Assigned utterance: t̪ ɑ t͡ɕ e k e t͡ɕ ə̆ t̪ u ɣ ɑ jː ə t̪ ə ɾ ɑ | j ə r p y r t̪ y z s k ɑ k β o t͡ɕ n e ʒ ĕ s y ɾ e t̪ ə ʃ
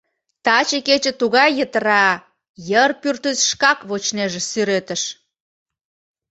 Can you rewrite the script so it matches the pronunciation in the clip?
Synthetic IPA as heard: t̪ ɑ t͡ɕ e k e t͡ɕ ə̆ t̪ u ɣ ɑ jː ə t̪ ə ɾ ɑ | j ə r p y r t̪ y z ʃ k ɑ k β o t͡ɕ n e ʒ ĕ s y ɾ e t̪ ə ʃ

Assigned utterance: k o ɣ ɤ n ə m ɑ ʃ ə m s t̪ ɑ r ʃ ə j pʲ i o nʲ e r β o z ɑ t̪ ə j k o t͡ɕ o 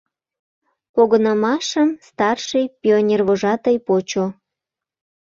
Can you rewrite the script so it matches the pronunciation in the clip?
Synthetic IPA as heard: p o ɣ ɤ n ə m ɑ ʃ ə m s t̪ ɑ r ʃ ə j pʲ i o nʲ e r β o ʒ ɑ t̪ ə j p o t͡ɕ o

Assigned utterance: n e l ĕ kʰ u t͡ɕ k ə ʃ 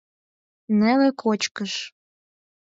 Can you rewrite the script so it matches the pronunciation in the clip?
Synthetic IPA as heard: n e l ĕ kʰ o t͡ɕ k ə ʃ

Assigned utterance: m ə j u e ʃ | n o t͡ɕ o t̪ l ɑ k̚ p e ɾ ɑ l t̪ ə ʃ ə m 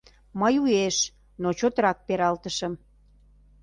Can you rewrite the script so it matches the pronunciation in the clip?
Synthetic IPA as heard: m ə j u e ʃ | n o t͡ɕ o t̪ ɾ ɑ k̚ p e ɾ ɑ l t̪ ə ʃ ə m

